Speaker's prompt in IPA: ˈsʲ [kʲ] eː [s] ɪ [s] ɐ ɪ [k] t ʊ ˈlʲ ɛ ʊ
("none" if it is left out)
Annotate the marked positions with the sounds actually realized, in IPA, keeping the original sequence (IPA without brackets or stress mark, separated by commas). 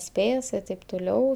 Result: pʲ, s, t, p